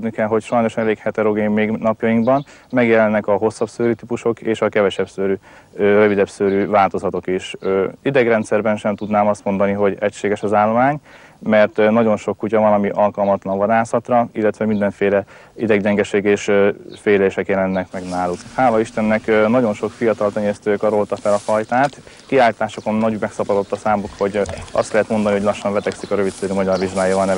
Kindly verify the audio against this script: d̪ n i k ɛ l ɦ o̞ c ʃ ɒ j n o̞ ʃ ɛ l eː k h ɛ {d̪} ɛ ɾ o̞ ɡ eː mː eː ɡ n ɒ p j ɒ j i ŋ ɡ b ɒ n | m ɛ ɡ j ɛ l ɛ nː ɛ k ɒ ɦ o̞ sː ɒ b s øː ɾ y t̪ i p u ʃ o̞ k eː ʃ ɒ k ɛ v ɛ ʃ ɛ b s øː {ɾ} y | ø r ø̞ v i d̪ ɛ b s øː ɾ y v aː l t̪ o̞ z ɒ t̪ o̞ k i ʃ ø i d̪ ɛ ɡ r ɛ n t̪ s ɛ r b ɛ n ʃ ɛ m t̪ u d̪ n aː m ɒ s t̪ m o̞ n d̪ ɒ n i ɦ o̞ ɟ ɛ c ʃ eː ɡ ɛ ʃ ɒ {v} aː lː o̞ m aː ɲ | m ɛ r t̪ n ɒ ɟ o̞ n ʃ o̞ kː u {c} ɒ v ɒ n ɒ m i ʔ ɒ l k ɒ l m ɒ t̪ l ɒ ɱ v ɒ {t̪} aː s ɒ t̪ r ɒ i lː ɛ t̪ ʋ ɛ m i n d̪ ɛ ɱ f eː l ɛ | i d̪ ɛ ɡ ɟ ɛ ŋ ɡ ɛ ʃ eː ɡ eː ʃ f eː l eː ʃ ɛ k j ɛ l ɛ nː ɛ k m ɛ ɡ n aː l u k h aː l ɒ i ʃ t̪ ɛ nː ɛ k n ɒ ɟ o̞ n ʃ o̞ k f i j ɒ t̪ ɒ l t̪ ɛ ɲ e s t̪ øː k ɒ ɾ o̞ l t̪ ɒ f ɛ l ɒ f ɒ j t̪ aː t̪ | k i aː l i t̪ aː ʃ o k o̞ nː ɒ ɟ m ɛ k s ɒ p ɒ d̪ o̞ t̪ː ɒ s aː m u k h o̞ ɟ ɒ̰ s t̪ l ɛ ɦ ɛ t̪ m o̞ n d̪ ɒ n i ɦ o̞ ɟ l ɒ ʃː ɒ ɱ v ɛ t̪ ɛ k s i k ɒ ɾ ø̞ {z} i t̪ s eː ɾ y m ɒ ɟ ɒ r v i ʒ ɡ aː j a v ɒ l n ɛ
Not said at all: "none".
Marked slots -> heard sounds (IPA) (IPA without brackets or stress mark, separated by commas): t̪, ɾ, z, c, d̪, v